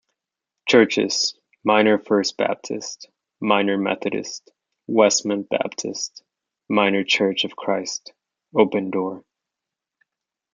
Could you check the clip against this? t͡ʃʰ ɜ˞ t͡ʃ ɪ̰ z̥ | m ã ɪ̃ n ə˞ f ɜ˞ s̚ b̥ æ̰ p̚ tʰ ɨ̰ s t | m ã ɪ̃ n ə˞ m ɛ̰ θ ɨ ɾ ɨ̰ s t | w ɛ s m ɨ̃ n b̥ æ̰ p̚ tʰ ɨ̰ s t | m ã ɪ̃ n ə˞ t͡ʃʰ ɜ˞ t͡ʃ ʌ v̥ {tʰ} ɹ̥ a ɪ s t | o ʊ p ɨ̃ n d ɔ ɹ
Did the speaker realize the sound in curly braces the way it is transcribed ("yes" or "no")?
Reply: no